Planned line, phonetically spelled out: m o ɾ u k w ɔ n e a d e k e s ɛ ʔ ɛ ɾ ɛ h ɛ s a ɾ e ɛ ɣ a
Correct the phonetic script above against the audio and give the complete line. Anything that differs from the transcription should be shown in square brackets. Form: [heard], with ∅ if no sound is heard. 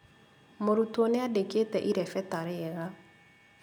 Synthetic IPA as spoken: m o ɾ u [t] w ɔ n e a d e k e [t] ɛ ʔ [i] ɾ ɛ [f] ɛ [t] a ɾ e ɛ ɣ a